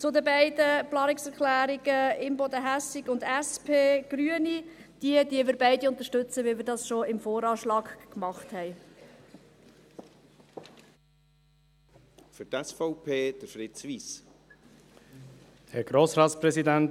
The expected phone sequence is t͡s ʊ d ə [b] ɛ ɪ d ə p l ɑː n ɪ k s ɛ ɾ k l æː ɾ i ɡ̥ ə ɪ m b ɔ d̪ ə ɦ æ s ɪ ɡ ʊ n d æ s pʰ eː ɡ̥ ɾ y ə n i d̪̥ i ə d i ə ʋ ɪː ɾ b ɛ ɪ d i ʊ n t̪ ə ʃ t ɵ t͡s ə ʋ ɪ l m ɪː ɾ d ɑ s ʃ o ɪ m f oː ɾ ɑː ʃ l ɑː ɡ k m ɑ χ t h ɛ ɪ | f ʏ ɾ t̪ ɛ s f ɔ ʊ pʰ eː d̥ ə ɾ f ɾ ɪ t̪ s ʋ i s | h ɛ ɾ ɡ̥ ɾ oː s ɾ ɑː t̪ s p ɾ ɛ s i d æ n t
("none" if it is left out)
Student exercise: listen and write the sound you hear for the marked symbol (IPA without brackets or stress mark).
b